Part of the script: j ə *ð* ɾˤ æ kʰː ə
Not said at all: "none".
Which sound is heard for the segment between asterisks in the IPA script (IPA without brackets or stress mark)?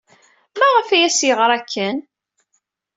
ʁ